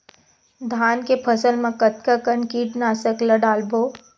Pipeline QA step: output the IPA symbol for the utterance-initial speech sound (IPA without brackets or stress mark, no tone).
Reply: d̪ʱ